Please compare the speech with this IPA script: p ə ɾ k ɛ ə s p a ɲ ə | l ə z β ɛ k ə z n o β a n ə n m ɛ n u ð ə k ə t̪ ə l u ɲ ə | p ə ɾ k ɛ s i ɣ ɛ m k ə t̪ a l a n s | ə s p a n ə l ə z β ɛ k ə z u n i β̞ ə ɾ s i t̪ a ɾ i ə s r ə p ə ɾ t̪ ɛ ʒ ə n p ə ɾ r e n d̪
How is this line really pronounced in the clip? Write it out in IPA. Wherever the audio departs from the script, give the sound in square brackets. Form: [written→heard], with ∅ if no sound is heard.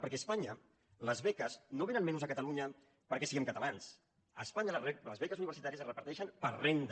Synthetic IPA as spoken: p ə ɾ k ɛ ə s p a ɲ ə | l ə z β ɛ k ə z n o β [a→e] n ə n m ɛ n u [ð→z] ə k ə t̪ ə l u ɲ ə | p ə ɾ k ɛ s i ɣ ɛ m k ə t̪ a l a n s | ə s p a [n→ɲ] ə l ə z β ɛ k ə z u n i β̞ ə ɾ s i t̪ a ɾ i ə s r ə p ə ɾ t̪ ɛ [ʒ→ʃ] ə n p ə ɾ r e n d̪